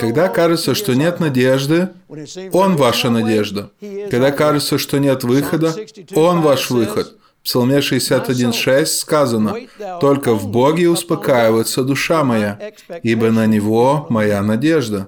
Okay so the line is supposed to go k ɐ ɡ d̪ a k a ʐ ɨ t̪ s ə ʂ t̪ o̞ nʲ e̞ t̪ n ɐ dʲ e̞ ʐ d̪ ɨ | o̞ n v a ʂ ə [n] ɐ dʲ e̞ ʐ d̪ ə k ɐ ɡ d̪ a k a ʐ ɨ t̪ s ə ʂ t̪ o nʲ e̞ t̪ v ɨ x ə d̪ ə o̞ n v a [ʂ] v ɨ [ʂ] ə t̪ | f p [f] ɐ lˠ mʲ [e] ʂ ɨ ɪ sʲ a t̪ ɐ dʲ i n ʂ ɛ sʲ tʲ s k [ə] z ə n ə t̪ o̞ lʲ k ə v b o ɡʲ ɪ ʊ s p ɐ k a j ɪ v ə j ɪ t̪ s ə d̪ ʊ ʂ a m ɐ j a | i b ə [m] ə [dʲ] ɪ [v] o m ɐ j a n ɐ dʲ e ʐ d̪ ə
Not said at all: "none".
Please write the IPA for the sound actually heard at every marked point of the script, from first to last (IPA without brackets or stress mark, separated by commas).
n, ʂ, x, s, e, a, n, nʲ, v